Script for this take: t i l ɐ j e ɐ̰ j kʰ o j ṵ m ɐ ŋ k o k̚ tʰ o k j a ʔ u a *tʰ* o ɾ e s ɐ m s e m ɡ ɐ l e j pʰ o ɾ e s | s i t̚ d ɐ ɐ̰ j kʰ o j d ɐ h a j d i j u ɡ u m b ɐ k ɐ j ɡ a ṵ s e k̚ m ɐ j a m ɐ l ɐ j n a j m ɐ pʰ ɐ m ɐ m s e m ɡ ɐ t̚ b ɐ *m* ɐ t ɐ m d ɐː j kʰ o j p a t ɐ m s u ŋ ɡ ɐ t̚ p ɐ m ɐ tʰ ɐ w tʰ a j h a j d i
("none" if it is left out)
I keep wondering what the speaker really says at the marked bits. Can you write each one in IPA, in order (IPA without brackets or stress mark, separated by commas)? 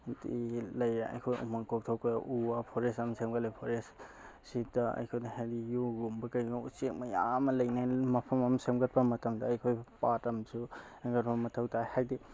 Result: pʰ, m